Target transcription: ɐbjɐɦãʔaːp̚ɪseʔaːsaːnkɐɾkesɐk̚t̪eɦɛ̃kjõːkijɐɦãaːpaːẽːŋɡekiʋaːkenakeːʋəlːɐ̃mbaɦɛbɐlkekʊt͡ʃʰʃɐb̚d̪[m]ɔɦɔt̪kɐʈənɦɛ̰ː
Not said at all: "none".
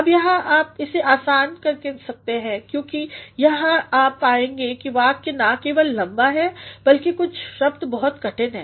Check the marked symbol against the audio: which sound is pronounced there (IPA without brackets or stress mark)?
b